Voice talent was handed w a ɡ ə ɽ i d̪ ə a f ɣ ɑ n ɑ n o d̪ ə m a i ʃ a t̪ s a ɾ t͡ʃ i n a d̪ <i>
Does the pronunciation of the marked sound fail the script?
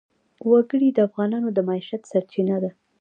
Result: yes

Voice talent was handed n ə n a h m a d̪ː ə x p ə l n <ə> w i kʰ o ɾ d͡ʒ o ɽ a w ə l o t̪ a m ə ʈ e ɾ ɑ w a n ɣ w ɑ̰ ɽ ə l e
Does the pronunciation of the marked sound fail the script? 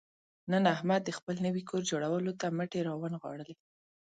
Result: no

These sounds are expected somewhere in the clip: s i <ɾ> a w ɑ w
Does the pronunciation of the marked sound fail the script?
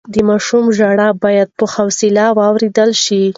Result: yes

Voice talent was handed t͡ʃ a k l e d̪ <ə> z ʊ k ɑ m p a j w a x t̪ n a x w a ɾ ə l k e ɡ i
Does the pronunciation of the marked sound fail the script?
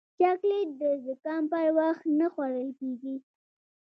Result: no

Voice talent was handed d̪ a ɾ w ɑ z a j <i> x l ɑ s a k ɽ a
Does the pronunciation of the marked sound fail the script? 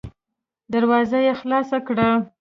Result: yes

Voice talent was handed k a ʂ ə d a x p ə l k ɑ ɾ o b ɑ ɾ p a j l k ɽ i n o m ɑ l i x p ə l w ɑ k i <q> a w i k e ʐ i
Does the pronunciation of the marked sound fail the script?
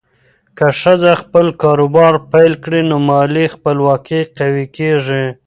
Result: no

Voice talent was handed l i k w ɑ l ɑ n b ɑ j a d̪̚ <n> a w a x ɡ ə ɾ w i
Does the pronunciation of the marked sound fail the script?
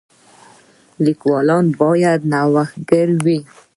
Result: no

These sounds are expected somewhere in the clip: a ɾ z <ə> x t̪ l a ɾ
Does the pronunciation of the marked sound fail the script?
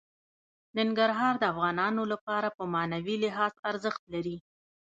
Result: no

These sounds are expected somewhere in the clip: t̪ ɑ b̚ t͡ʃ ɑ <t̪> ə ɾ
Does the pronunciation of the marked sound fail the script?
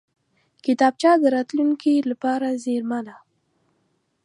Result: yes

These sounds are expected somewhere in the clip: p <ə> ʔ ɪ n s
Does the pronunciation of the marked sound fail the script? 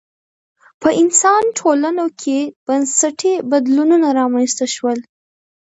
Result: no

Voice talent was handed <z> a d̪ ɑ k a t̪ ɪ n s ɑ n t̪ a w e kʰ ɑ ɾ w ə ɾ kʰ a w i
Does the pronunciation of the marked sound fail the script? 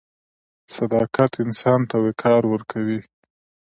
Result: yes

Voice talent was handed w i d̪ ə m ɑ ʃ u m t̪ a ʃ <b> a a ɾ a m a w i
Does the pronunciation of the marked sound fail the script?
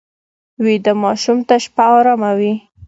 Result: yes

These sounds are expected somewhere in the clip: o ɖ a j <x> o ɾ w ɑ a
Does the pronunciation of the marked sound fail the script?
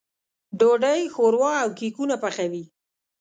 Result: no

